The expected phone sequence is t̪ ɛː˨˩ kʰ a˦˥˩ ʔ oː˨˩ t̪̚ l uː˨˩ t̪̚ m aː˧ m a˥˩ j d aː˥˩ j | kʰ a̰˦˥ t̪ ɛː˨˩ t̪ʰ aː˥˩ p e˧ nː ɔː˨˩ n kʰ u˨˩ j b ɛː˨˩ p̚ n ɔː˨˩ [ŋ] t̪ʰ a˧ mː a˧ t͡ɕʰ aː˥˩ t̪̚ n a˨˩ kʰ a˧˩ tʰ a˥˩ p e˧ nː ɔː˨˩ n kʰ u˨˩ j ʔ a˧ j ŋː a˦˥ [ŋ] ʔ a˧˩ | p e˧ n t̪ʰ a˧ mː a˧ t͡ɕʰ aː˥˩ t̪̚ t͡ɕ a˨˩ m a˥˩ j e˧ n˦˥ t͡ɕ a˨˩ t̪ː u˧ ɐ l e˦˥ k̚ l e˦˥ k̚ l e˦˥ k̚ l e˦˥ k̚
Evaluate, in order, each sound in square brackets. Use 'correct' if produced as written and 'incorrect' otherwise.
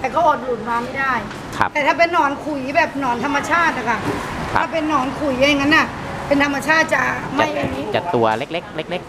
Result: incorrect: n, incorrect: n

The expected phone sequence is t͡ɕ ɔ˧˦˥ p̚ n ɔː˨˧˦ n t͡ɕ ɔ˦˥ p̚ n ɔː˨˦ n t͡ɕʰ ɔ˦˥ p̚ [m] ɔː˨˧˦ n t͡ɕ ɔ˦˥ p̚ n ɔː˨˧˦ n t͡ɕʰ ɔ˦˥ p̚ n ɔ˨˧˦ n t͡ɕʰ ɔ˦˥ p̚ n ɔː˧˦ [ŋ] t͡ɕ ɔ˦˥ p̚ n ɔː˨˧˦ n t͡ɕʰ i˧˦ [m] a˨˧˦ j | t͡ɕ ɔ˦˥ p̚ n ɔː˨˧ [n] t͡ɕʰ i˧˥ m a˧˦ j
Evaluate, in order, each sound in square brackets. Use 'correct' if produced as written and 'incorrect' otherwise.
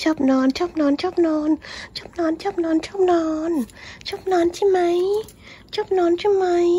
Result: incorrect: n, incorrect: n, correct, correct

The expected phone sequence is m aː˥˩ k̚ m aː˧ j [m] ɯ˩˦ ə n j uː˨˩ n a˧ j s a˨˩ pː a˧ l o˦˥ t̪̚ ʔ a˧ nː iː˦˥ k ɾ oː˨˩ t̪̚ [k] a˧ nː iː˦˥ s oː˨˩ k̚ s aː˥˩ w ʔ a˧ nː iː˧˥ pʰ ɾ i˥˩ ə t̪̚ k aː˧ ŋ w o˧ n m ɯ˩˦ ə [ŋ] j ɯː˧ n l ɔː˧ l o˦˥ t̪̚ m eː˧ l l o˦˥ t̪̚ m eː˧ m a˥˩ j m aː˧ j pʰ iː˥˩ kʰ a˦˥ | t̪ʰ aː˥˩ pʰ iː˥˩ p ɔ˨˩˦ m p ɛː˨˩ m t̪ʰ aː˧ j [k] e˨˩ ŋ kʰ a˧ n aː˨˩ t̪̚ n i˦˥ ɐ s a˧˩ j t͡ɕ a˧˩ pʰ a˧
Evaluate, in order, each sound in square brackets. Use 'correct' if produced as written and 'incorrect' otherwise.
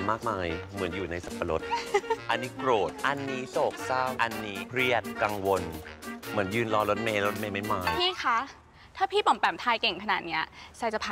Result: correct, incorrect: ʔ, incorrect: n, correct

